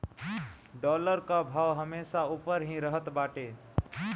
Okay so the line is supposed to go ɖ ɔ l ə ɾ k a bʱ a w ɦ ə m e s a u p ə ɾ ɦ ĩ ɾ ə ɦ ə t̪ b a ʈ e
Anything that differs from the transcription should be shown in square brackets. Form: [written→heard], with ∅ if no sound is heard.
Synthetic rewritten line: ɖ ɔ l ə ɾ k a bʱ a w ɦ ə m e s a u p ə ɾ ɦ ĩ ɾ ə ɦ ə t̪ b a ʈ e